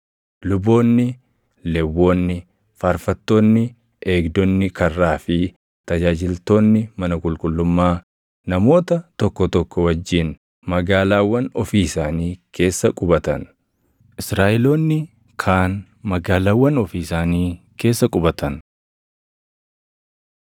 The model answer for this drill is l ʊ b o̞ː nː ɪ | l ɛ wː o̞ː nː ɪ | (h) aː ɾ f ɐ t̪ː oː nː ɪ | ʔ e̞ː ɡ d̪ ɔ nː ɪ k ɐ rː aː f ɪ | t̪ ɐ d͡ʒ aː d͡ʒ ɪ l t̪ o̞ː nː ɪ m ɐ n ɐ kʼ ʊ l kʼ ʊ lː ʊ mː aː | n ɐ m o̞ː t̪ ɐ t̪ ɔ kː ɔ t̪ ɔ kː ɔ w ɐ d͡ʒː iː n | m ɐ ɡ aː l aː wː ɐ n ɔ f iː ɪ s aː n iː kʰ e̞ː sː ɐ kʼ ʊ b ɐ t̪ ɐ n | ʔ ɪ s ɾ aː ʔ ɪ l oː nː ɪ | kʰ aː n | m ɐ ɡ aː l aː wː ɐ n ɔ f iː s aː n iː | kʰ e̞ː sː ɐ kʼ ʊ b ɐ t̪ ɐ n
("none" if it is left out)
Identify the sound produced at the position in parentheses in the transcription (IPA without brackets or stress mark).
f